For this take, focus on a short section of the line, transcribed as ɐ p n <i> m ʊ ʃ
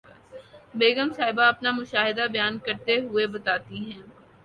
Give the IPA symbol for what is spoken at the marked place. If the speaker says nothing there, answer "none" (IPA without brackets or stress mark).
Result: a